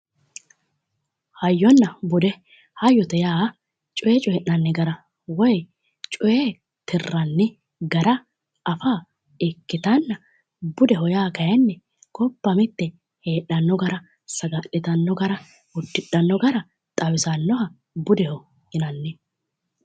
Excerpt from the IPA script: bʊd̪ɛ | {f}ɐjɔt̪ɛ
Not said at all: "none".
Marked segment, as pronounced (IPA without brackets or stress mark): h